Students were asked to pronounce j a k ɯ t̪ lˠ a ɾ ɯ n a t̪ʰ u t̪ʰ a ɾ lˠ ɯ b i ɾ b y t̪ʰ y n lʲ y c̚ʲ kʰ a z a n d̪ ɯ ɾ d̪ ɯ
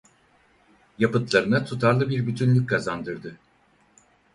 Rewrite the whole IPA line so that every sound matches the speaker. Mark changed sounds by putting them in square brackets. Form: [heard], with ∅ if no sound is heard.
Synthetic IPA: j a [p] ɯ t̪ lˠ a ɾ ɯ n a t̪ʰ u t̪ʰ a ɾ lˠ ɯ b i ɾ b y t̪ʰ y n lʲ y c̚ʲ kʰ a z a n d̪ ɯ ɾ d̪ ɯ